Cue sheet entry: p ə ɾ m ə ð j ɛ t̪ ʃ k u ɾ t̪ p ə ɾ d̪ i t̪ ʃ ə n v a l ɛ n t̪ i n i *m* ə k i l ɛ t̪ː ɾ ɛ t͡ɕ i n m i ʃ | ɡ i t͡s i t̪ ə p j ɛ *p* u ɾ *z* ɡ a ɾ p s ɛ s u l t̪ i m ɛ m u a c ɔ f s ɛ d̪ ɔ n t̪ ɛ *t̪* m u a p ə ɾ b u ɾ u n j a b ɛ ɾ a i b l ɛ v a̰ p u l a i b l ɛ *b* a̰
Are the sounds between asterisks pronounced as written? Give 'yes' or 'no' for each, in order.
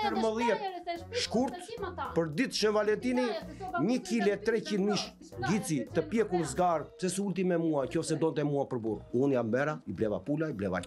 no, no, yes, no, no

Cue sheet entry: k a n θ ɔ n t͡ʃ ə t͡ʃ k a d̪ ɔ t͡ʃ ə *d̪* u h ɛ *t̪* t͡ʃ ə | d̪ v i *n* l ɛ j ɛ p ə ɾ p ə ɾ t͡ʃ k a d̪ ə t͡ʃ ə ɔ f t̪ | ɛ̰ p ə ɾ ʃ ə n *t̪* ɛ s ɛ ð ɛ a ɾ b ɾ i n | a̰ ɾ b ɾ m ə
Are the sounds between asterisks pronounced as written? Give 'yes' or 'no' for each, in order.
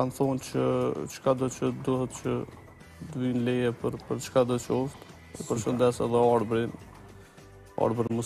yes, yes, yes, no

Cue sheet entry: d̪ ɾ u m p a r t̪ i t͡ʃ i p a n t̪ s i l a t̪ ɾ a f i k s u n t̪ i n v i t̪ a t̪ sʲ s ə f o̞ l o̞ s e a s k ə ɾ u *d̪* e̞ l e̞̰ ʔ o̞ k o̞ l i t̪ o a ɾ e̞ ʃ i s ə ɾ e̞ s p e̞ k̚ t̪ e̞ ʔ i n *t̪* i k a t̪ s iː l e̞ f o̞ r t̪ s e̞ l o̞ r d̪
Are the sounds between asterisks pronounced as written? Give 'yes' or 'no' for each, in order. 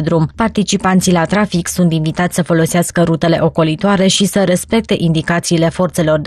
no, no

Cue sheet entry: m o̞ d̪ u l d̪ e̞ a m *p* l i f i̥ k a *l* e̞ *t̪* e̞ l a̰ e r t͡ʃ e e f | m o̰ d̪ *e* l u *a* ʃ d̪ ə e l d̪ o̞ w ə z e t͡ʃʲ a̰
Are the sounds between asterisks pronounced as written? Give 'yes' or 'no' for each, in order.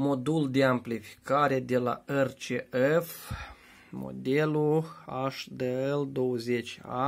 yes, no, no, yes, yes

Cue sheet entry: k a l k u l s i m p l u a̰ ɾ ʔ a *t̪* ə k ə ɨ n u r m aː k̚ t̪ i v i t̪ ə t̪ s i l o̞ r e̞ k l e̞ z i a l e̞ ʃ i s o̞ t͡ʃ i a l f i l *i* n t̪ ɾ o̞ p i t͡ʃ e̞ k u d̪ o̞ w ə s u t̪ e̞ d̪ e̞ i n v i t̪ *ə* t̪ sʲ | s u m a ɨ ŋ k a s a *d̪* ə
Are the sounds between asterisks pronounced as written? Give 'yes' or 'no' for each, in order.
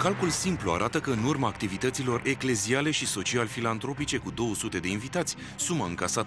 yes, no, no, no

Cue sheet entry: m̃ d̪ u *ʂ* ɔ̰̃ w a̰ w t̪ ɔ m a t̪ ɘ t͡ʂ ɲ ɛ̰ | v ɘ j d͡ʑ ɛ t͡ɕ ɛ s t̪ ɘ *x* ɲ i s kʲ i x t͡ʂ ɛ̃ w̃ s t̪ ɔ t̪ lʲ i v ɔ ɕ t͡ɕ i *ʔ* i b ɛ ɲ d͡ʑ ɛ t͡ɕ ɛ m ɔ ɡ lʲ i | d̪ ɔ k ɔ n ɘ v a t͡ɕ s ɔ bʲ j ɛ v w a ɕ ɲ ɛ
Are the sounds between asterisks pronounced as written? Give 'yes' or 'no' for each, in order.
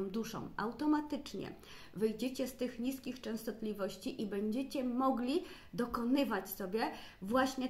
yes, yes, yes

